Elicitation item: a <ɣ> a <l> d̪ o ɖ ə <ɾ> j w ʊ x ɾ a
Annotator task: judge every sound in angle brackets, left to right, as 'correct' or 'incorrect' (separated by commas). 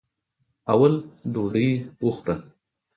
incorrect, correct, incorrect